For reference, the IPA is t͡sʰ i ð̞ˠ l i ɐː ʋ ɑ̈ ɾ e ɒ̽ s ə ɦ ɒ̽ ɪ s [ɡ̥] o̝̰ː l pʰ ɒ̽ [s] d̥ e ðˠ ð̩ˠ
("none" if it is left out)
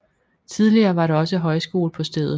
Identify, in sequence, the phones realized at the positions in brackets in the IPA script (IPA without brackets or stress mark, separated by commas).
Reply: ɡ̥, s